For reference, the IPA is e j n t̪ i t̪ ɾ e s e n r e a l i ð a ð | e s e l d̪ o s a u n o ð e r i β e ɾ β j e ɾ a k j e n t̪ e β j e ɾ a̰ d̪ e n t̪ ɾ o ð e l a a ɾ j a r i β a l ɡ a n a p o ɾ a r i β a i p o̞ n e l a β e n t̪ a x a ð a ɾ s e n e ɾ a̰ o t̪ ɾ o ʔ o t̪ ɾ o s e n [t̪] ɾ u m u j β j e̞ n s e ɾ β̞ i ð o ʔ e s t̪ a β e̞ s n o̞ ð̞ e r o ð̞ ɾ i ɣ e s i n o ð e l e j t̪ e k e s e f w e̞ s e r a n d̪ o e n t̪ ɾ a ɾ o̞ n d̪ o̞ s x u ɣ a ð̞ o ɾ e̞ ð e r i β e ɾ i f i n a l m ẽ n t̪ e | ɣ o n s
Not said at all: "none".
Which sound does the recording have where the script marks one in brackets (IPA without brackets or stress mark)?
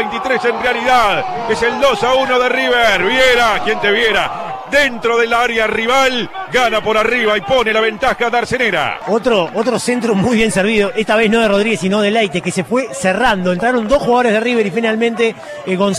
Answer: t̪